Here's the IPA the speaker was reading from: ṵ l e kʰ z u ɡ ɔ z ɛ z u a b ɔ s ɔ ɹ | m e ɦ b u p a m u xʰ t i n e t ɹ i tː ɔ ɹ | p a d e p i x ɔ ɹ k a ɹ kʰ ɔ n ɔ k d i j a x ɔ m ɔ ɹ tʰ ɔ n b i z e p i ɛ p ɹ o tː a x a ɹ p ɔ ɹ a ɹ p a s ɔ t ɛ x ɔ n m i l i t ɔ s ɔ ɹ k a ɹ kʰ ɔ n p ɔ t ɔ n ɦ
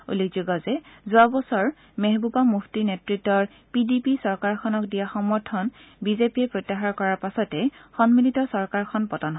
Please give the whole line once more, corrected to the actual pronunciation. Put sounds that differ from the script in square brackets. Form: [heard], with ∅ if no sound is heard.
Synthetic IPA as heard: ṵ l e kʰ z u ɡ ɔ z ɛ z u a b ɔ s ɔ ɹ | m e ɦ b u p a m u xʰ t i n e t ɹ i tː ɔ ɹ | p [i] d [i] p i [s] ɔ ɹ k a ɹ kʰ ɔ n ɔ k d i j a x ɔ m ɔ ɹ tʰ ɔ n b i z e p i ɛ p ɹ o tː a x a ɹ [k] ɔ ɹ a ɹ p a s ɔ t ɛ x ɔ n m i l i t ɔ s ɔ ɹ k a ɹ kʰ ɔ n p ɔ t ɔ n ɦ